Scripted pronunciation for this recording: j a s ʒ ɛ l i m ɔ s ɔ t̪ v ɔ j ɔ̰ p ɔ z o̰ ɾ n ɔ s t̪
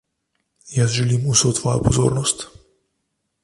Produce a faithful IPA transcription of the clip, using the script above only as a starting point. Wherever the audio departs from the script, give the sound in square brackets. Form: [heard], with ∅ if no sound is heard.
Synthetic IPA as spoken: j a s ʒ ɛ l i m [u] s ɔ t̪ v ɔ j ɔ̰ p ɔ z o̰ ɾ n ɔ s t̪